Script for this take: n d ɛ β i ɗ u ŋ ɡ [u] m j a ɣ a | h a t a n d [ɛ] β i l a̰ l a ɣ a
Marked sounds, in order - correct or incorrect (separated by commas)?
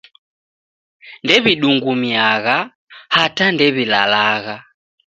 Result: correct, correct